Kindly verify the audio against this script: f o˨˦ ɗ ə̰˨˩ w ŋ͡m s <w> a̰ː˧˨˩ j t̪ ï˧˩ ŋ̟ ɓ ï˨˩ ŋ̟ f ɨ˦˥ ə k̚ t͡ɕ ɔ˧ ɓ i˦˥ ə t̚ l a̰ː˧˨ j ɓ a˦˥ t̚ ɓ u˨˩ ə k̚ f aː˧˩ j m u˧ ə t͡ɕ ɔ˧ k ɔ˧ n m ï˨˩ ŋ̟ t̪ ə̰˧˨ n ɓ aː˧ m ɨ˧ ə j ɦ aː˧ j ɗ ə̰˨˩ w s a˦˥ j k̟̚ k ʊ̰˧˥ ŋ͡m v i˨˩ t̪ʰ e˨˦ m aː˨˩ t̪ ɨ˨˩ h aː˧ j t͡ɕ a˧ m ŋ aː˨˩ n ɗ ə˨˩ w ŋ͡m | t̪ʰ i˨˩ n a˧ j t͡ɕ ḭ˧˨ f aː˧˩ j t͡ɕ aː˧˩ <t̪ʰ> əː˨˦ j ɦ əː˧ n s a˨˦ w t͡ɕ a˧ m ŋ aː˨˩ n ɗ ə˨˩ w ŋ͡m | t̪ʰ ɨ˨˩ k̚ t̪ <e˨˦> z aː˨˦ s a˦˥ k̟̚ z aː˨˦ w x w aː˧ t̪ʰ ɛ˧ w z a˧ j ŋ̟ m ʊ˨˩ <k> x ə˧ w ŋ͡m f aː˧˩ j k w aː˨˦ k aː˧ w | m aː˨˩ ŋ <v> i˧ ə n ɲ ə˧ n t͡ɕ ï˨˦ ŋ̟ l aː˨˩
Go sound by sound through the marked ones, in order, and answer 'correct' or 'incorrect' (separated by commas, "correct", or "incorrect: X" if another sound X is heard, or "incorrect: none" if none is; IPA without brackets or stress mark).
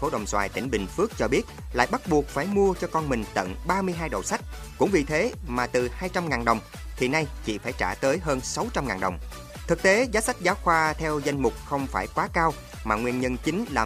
correct, incorrect: t̪, correct, incorrect: k͡p̚, incorrect: w